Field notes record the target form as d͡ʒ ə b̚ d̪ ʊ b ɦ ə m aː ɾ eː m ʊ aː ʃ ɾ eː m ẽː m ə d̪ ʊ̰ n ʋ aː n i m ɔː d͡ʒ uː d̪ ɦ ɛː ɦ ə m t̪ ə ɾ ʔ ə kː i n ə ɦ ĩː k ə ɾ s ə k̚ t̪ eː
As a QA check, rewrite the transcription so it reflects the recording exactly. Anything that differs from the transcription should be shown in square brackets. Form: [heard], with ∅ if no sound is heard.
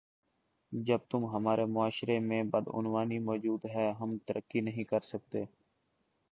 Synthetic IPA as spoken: d͡ʒ ə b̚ [t̪] ʊ [m] ɦ ə m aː ɾ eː m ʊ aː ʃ ɾ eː m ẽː [b] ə d̪ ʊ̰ n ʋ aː n i m ɔː d͡ʒ uː d̪ ɦ ɛː ɦ ə m t̪ ə ɾ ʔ ə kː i n ə ɦ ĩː k ə ɾ s ə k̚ t̪ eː